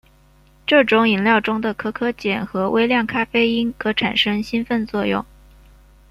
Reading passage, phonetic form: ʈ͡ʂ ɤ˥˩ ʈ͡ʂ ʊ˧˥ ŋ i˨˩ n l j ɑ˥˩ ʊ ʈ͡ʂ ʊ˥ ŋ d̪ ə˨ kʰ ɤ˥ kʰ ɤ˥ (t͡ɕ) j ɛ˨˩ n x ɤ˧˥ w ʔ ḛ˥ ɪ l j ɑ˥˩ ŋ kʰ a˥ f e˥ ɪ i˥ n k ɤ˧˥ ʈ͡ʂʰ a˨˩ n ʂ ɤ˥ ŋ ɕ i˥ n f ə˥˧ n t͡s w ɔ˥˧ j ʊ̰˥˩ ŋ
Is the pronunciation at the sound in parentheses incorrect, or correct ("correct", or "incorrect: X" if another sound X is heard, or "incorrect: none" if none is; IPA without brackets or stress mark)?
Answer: correct